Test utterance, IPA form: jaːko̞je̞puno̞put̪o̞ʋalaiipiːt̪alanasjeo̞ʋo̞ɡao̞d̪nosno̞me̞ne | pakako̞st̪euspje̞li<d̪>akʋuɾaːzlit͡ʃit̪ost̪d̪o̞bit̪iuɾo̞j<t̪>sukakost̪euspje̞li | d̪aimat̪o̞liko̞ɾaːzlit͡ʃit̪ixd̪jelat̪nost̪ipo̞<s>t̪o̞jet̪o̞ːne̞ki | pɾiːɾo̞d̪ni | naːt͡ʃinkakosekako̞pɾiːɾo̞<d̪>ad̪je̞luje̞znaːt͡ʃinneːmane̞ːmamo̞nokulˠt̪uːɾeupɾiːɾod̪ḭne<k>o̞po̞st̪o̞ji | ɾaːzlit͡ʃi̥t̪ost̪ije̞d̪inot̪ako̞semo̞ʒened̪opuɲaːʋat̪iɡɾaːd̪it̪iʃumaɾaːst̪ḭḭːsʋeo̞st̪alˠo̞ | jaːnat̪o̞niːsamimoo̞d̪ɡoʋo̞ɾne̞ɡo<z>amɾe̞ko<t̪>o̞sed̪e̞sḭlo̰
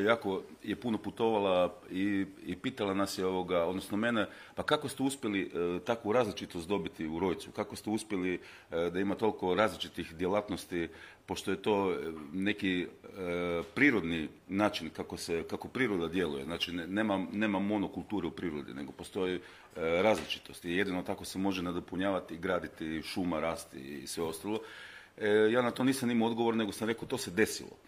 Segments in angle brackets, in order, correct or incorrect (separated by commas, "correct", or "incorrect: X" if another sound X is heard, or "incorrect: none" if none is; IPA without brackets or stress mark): incorrect: t̪, correct, incorrect: ʃ, correct, incorrect: ɡ, incorrect: s, correct